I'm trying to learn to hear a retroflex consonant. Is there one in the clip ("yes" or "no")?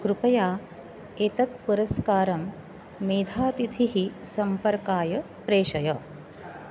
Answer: no